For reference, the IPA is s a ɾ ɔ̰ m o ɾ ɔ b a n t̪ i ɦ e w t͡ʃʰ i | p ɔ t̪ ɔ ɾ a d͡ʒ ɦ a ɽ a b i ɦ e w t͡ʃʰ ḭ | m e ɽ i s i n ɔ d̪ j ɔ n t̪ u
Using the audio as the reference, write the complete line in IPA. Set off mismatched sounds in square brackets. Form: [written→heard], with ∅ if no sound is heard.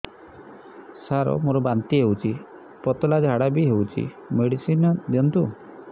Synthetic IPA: s a ɾ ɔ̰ m o ɾ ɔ b a n t̪ i ɦ e w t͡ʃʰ i | p ɔ t̪ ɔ [ɾ→l] a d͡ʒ ɦ a ɽ a b i ɦ e w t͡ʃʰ ḭ | m e ɽ i s i n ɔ d̪ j ɔ n t̪ u